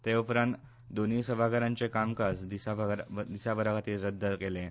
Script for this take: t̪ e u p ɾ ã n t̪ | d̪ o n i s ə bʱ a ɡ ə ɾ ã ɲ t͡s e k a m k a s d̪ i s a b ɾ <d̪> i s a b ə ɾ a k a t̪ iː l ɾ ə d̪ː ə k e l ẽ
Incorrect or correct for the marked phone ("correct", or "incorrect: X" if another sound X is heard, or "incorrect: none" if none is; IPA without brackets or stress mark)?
correct